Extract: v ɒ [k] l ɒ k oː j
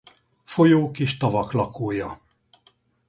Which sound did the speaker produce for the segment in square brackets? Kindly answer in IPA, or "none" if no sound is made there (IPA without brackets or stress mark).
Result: k